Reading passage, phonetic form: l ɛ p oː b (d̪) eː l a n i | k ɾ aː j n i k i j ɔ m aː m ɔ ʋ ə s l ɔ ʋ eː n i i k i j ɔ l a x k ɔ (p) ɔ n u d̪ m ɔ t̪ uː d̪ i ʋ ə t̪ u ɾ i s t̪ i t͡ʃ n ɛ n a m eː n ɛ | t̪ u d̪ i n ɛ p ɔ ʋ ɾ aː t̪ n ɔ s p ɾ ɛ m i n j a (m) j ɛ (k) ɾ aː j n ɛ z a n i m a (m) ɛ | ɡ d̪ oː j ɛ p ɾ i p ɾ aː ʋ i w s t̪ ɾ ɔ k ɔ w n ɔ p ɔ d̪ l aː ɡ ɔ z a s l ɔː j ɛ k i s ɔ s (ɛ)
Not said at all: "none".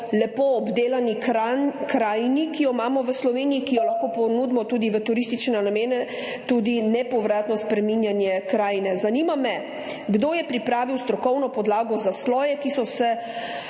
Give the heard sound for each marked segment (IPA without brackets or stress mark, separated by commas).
d̪, p, n, k, m, ɛ